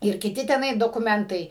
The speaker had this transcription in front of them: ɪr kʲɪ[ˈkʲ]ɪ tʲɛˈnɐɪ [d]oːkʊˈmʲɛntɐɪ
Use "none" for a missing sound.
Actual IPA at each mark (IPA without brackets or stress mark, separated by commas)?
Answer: tʲ, d